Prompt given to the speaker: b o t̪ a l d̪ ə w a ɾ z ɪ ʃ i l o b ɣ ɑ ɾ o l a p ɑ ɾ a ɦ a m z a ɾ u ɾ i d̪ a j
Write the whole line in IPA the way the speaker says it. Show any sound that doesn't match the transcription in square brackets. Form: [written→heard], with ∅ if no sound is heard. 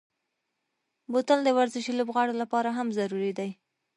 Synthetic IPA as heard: b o t̪ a l d̪ ə w a ɾ z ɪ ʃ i l o b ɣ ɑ [ɾ→ɽ] o l a p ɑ ɾ a ɦ a m z a ɾ u ɾ i d̪ a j